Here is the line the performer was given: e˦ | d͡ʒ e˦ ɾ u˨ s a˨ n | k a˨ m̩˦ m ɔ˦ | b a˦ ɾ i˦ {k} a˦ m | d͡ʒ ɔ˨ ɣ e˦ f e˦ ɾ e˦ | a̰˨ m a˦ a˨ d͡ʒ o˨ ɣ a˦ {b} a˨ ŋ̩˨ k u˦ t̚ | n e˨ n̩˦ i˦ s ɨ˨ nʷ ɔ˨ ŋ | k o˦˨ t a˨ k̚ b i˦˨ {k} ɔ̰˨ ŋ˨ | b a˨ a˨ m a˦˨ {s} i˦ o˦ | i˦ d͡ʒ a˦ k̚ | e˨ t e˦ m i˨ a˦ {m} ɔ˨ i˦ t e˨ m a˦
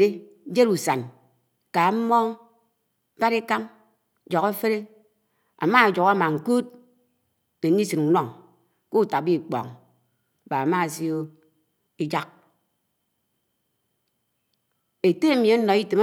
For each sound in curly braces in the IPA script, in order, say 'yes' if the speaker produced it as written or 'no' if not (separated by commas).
yes, no, no, yes, no